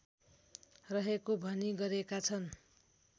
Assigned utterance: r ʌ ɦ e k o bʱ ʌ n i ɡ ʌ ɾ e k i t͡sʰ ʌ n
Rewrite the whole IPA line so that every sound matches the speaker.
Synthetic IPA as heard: r ʌ ɦ e k o bʱ ʌ n i ɡ ʌ ɾ e k a t͡sʰ ʌ n